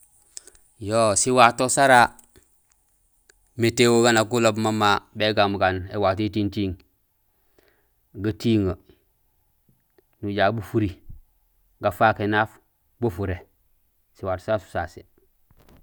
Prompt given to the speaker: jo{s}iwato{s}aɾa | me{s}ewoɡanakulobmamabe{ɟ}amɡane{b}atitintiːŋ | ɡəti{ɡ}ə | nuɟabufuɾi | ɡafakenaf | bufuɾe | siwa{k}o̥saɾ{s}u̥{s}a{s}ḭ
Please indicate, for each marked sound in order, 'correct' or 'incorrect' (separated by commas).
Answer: correct, correct, incorrect, incorrect, incorrect, incorrect, incorrect, correct, correct, correct